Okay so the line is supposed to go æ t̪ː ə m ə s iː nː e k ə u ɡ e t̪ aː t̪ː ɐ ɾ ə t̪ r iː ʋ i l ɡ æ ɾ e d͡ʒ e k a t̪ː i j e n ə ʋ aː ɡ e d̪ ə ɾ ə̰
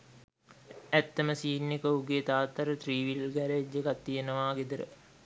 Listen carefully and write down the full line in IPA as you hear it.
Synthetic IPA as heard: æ t̪ː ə m ə s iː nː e k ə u ɡ e t̪ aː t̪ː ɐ ɾ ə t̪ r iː ʋ i l ɡ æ ɾ e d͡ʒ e k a t̪ː i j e n ə ʋ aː ɡ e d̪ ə ɾ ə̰